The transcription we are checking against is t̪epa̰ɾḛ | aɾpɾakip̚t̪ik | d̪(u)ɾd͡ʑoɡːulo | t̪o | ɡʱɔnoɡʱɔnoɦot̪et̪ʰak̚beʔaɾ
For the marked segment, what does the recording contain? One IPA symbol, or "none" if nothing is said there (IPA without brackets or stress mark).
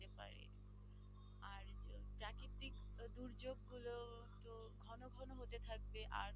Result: u